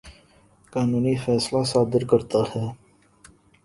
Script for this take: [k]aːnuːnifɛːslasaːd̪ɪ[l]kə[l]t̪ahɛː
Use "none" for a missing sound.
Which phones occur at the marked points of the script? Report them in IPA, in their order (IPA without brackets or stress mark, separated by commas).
k, ɾ, ɾ